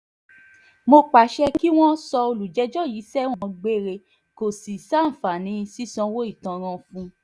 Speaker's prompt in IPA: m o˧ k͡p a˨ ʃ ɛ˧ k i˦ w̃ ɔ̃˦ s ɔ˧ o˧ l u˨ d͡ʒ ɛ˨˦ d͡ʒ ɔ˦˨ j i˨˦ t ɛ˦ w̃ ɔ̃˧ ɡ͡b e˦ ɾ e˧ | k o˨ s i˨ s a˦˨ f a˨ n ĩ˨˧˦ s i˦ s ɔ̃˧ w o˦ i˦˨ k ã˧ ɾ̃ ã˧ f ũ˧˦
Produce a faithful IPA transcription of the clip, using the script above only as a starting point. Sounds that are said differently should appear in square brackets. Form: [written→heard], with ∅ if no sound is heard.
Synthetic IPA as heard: m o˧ k͡p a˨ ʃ ɛ˧ k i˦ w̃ ɔ̃˦ s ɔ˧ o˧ l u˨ d͡ʒ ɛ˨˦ d͡ʒ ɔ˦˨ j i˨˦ [t→s] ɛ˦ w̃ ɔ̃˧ ɡ͡b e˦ ɾ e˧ | k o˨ s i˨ s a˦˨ f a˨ n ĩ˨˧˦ s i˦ s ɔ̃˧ w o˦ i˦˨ [k→t] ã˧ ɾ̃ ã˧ f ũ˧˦